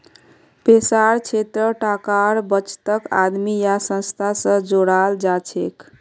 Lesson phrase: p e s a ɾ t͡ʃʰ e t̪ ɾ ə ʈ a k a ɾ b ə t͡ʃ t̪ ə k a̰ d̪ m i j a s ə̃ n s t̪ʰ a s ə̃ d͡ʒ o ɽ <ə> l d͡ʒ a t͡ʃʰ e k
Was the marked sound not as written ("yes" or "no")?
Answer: yes